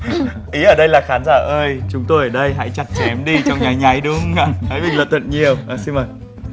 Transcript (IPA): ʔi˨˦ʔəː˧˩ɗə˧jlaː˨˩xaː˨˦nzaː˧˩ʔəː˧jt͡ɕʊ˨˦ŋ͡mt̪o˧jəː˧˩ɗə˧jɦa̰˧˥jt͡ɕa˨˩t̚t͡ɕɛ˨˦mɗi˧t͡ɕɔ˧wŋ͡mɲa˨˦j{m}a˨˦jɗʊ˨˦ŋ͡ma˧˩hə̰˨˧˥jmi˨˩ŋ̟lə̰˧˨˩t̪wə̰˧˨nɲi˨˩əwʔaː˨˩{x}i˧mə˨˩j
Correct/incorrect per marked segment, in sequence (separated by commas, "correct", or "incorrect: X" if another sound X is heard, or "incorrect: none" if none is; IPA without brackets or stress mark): incorrect: ɲ, incorrect: s